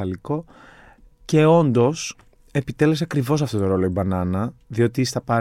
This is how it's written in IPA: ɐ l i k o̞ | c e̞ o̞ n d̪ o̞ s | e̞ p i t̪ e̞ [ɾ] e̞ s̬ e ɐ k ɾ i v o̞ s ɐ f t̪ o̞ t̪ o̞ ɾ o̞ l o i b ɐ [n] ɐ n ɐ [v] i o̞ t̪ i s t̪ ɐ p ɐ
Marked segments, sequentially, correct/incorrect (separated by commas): incorrect, correct, incorrect